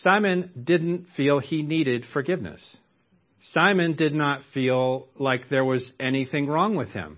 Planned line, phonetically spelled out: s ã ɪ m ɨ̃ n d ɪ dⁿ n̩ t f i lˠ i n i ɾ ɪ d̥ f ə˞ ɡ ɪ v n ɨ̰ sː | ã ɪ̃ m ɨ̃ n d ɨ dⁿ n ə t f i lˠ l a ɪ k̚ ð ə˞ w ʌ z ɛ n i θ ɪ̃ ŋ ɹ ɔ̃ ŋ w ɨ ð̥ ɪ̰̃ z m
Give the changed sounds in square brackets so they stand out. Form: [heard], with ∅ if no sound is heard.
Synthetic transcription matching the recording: s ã ɪ m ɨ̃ n d ɪ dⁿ n̩ t f i lˠ i n i ɾ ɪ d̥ f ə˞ ɡ ɪ v n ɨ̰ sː | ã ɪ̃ m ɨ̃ n d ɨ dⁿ n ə t f i lˠ l a ɪ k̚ ð ə˞ w ʌ z ɛ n i θ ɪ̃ ŋ ɹ ɔ̃ ŋ w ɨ ð̥ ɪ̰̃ [∅] m